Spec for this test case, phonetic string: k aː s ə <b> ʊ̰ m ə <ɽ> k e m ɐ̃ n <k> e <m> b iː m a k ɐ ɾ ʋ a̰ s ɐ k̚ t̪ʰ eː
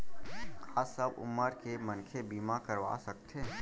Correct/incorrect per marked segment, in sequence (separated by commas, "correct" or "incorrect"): correct, incorrect, incorrect, incorrect